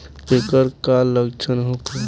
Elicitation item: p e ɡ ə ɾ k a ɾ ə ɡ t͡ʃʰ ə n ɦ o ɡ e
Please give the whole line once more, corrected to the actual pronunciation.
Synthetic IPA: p e k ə ɾ k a l ə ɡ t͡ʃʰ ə n ɦ o k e